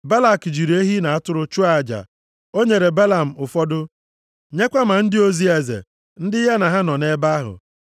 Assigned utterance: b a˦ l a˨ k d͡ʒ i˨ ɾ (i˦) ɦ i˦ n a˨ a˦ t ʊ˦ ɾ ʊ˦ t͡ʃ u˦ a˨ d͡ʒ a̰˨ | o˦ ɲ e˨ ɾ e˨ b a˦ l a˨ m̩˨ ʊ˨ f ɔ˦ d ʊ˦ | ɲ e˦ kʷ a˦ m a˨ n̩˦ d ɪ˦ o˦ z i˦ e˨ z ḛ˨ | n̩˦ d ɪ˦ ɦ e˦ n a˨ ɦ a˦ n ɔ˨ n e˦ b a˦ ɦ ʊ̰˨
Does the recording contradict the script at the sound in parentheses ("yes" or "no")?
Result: yes